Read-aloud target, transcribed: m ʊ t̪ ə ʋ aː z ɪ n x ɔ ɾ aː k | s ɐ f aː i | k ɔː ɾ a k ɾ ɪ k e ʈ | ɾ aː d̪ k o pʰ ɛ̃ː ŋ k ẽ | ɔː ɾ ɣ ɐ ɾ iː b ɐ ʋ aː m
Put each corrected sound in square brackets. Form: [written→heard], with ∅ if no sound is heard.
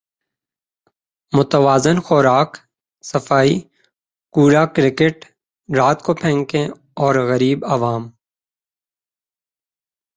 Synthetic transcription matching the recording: m ʊ t̪ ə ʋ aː z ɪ n x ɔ ɾ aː k | s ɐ f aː i | k [ɔː→uː] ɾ a k ɾ ɪ k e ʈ | ɾ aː [d̪→t̪] k o pʰ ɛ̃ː ŋ k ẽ | ɔː ɾ ɣ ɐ ɾ iː b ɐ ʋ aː m